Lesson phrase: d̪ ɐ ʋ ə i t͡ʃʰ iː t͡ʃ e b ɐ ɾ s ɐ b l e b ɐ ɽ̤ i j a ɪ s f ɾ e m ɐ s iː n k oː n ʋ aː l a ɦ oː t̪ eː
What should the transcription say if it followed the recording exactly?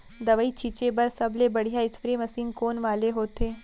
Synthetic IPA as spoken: d̪ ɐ ʋ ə i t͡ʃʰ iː t͡ʃ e b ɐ ɾ s ɐ b l e b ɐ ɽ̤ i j a ɪ s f ɾ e m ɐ s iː n k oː n ʋ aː l e ɦ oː t̪ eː